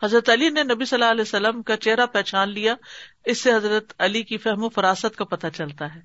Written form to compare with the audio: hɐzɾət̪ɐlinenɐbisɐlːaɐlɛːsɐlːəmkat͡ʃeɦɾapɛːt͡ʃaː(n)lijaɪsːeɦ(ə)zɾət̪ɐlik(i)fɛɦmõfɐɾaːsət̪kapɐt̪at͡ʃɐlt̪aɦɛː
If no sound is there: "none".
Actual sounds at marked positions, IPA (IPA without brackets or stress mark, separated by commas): n, ɐ, i